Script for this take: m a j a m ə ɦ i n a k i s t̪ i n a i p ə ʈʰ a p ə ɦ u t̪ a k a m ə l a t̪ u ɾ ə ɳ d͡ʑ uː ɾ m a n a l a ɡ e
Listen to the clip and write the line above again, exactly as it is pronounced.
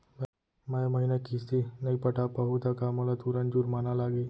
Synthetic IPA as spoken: m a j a m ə ɦ i n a k i s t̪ i n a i p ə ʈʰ a p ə ɦ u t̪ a k a m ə l a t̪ u ɾ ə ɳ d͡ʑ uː ɾ m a n a l a ɡ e